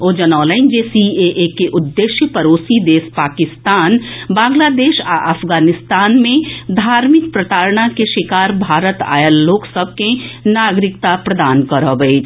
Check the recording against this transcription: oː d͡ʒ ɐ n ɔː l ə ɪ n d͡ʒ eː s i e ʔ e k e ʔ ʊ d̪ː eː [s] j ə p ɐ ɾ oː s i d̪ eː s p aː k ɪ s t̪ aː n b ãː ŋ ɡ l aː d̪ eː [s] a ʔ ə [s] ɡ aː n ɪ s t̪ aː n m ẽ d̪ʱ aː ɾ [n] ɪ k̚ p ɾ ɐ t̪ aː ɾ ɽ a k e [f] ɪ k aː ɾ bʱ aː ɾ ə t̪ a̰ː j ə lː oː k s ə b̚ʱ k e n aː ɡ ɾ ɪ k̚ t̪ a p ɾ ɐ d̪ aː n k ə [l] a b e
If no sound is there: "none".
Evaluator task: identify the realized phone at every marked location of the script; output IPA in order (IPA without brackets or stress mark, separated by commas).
ʃ, ʃ, f, m, ʃ, ɾ